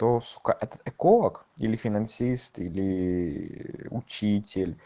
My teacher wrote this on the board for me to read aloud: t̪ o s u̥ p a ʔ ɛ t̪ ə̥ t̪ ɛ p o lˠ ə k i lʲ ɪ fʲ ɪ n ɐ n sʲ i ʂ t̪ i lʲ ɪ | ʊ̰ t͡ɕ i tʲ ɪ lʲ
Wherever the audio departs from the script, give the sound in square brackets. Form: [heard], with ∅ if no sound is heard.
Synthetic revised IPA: t̪ o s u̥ [k] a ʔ ɛ t̪ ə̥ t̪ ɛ [k] o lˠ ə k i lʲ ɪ fʲ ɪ n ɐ n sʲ i [s] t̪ i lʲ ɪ | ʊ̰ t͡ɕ i tʲ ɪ lʲ